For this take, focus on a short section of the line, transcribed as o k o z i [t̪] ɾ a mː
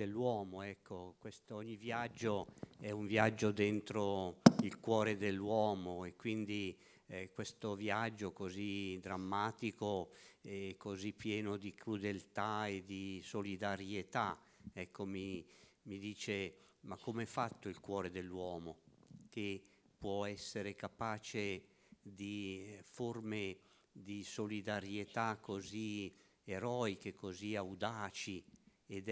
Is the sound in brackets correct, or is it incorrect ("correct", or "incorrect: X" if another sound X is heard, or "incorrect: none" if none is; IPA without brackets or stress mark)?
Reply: incorrect: d̪